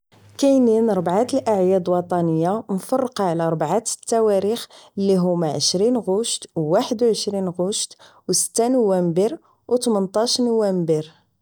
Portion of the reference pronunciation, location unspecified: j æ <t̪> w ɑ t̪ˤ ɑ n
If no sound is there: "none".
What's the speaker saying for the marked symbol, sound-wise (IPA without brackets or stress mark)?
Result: d̪